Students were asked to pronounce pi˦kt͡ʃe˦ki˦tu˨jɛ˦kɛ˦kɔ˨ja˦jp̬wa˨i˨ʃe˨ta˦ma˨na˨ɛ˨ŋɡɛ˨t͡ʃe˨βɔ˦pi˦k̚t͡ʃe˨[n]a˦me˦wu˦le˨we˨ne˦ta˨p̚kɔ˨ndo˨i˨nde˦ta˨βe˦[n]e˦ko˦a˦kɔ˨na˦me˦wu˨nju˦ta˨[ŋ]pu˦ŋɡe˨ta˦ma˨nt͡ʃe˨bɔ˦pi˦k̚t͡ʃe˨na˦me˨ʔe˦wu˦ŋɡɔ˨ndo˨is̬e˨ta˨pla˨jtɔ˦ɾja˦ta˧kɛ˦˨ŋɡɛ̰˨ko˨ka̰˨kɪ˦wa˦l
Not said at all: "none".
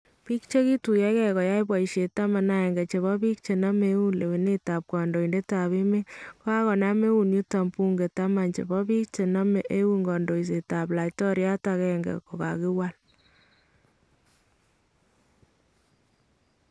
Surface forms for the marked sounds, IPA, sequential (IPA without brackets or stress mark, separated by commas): n, m, m